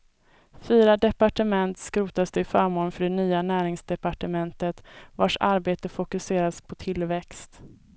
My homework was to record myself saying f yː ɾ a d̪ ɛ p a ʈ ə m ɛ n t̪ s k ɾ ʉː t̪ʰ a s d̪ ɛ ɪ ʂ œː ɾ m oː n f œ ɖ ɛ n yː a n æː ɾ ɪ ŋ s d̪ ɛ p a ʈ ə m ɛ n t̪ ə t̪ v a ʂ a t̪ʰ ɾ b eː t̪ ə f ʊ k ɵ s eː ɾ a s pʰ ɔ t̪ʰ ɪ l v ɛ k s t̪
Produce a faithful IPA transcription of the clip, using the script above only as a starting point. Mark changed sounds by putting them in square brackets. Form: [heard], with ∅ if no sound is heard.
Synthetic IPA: f yː ɾ a d̪ ɛ p a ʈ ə m ɛ n t̪ s k ɾ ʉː [t̪] a s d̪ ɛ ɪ [f] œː ɾ m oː n f œ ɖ ɛ n yː a n æː ɾ ɪ ŋ s d̪ ɛ p a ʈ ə m ɛ n t̪ ə t̪ v a ʂ a [∅] ɾ b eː t̪ ə f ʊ k ɵ s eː ɾ a s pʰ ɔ t̪ʰ ɪ l v ɛ k s t̪